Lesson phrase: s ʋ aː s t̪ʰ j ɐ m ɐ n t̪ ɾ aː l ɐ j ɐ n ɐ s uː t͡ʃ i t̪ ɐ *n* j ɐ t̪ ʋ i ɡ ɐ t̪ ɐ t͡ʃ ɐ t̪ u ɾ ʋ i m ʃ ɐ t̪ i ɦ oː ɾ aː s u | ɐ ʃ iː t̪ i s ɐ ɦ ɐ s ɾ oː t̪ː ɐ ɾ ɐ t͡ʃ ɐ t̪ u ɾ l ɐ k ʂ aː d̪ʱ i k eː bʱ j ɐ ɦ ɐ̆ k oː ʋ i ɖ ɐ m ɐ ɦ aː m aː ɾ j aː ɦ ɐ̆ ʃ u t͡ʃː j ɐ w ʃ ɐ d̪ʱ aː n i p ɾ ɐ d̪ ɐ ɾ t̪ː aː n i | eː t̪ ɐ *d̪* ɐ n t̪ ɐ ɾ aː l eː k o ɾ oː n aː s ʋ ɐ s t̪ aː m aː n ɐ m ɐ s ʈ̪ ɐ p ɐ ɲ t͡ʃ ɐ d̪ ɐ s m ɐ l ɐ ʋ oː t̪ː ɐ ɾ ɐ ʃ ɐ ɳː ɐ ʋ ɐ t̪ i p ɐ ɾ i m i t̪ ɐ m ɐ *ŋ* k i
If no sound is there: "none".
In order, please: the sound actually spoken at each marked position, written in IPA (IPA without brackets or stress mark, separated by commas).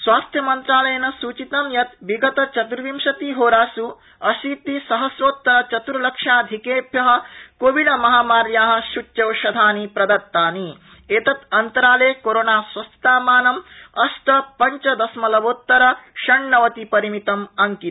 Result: m, t̪, ŋ